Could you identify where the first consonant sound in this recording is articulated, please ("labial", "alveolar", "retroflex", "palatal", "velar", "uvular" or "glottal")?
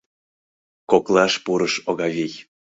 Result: velar